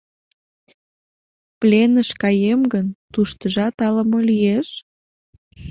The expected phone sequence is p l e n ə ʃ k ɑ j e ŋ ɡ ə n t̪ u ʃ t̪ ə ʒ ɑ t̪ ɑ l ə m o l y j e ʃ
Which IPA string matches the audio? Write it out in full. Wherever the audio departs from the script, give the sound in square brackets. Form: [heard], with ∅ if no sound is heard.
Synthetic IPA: p l e n ə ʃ k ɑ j e [m] ɡ ə n t̪ u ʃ t̪ ə ʒ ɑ t̪ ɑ l ə m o l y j e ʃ